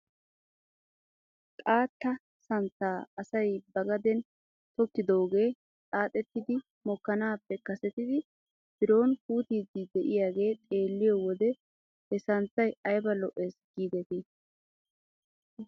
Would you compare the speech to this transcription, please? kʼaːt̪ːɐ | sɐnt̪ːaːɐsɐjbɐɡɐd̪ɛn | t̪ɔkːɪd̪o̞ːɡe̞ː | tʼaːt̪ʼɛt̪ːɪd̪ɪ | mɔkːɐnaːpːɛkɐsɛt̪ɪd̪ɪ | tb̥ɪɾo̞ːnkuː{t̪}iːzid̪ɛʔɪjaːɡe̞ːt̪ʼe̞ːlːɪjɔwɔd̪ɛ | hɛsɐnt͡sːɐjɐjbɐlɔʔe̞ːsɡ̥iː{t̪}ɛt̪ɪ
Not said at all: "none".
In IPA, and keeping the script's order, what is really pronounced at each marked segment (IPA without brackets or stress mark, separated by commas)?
t̪, d̪